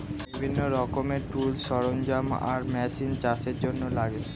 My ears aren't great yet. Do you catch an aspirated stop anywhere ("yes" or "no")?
no